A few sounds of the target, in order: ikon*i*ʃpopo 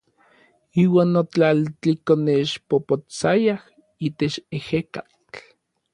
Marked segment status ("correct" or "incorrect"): incorrect